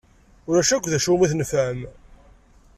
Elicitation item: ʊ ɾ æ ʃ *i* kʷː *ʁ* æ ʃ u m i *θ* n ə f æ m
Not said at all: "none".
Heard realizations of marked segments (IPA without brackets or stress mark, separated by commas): æ, ð, θ